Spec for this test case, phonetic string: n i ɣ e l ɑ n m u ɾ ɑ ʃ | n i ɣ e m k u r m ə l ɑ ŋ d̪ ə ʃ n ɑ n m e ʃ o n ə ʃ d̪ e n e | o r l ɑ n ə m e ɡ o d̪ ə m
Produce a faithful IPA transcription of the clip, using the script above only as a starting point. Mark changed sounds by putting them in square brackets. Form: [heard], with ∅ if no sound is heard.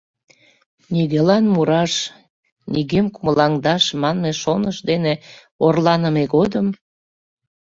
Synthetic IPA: n i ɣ e l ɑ n m u ɾ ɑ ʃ | n i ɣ e m k u [∅] m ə l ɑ ŋ d̪ [ɑ] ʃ [m] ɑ n m e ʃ o n ə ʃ d̪ e n e | o r l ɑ n ə m e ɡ o d̪ ə m